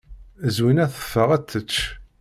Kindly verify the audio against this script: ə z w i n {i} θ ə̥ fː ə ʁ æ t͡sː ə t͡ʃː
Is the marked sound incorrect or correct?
incorrect